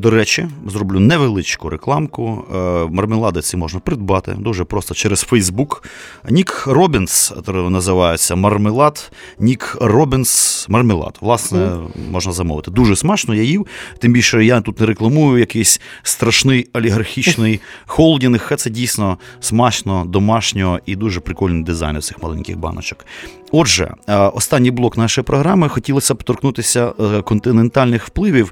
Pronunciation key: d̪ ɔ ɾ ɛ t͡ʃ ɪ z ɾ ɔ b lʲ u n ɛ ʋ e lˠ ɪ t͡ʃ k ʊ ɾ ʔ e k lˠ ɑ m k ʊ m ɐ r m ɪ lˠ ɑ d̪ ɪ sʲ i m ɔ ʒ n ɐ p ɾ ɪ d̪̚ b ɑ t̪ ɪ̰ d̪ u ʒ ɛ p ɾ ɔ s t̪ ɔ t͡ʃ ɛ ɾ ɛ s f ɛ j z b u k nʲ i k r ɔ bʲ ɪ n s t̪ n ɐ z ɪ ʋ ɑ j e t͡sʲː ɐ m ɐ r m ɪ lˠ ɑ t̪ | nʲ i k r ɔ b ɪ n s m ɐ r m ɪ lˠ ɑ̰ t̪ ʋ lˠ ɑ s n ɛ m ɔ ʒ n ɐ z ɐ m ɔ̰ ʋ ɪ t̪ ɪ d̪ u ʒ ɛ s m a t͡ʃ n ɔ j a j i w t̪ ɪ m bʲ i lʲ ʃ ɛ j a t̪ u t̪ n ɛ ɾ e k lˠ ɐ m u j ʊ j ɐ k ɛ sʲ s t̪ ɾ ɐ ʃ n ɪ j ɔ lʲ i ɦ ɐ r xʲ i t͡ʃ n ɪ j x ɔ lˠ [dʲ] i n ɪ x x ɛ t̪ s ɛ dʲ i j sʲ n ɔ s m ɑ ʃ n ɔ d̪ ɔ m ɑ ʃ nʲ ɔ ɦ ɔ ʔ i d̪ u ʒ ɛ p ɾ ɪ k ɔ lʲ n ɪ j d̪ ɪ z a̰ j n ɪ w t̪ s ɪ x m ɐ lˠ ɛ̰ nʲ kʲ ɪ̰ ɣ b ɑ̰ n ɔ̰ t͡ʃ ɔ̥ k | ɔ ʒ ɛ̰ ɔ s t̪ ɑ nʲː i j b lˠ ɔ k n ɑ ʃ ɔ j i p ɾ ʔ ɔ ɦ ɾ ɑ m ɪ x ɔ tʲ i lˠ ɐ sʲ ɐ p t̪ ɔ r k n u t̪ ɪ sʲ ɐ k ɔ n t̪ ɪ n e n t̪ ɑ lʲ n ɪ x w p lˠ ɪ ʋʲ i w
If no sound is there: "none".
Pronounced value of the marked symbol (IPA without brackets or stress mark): dʲ